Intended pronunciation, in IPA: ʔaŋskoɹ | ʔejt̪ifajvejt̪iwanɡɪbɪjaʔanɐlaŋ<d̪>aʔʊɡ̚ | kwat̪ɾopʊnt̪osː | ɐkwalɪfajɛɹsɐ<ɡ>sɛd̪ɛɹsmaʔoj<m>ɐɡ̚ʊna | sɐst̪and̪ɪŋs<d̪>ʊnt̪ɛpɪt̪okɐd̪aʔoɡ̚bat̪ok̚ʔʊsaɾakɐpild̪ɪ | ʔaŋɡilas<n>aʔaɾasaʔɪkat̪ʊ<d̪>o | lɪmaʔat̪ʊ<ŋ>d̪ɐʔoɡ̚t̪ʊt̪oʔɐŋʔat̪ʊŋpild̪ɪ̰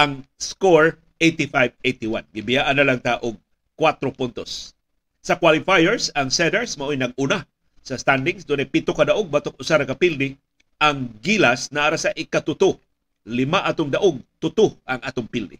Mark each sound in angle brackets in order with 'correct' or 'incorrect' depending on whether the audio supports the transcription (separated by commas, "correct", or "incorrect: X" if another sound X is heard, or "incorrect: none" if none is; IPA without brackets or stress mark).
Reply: incorrect: t̪, incorrect: ŋ, incorrect: n, correct, correct, incorrect: t̪, correct